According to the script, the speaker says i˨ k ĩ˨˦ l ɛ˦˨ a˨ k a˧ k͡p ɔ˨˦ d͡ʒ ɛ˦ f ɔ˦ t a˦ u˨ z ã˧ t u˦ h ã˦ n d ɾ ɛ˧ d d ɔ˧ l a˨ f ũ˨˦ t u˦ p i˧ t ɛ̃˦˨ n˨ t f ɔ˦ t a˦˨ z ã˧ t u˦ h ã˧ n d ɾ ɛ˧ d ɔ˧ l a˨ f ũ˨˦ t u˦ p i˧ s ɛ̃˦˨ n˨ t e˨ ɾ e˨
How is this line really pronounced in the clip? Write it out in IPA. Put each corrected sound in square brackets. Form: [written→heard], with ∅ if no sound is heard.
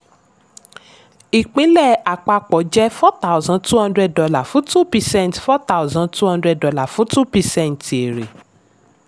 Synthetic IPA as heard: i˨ [k→k͡p] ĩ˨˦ l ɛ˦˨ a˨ [k→k͡p] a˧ k͡p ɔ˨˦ d͡ʒ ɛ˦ f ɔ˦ t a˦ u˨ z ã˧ t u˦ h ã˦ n d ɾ ɛ˧ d d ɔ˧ l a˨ f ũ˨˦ t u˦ p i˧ [t→s] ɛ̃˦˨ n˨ t f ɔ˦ t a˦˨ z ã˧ t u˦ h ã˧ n d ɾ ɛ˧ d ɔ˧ l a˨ f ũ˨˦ t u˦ p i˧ s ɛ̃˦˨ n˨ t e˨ ɾ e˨